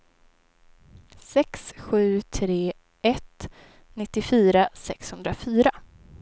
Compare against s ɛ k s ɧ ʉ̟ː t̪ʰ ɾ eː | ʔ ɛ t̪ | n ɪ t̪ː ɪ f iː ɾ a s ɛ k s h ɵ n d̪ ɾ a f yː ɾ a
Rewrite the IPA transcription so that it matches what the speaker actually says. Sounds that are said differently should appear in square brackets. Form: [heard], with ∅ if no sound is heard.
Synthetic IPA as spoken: s ɛ k s ɧ ʉ̟ː t̪ʰ ɾ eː | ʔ ɛ t̪ | n ɪ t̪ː ɪ f [yː] ɾ a s ɛ k s h ɵ n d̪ ɾ a f yː ɾ a